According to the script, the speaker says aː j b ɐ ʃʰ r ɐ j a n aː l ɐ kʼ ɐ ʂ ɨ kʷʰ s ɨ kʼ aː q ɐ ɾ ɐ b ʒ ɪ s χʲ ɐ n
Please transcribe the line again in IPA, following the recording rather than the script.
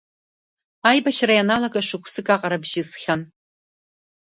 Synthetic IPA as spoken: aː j b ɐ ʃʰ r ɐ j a n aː l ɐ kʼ ɐ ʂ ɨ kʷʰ s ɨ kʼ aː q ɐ ɾ ɐ b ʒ ɪ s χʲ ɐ n

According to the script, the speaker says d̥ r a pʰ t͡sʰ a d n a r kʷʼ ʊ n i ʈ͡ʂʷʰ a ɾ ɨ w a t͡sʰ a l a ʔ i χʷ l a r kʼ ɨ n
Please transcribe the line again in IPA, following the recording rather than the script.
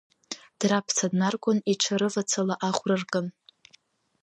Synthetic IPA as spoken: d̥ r a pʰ t͡sʰ a d n a r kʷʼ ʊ n i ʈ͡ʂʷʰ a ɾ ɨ v a t͡sʰ a l a ʔ a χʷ r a r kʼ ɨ n

